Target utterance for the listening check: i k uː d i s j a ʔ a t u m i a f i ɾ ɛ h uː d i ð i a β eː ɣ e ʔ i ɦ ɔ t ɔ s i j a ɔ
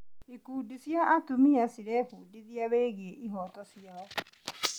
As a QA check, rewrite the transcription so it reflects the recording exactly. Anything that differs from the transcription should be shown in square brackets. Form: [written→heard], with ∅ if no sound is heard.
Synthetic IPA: i k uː d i s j a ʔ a t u m i a [f→s] i ɾ ɛ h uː d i ð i a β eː ɣ e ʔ i ɦ ɔ t ɔ s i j a ɔ